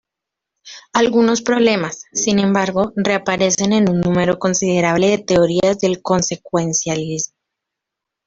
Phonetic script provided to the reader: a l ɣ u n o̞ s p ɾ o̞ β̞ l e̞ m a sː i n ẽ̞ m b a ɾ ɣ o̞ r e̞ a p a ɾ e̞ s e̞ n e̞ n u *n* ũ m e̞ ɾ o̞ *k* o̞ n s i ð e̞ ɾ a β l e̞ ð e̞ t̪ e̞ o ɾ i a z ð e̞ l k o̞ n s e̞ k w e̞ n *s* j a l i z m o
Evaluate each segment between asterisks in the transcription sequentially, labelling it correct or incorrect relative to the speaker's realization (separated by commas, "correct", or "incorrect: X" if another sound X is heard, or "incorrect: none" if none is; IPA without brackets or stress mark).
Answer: incorrect: nː, correct, correct